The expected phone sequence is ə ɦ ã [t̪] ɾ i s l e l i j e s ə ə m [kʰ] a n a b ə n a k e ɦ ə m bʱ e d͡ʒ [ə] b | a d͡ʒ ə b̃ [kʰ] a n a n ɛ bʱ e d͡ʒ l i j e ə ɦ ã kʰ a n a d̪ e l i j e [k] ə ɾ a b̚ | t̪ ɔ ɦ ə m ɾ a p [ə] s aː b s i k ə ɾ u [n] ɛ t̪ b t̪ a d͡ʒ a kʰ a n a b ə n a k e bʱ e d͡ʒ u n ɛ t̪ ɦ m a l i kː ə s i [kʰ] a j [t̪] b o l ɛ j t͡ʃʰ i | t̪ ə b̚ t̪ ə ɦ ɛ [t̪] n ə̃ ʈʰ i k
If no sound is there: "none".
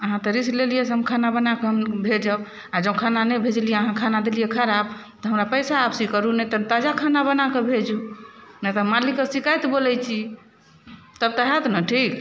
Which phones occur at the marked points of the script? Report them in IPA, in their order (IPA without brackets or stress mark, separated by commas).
t̪, kʰ, ə, kʰ, kʰ, ə, n, k, t̪, t̪